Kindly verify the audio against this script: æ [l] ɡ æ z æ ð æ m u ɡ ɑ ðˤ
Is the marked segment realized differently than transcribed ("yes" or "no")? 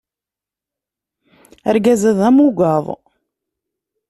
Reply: yes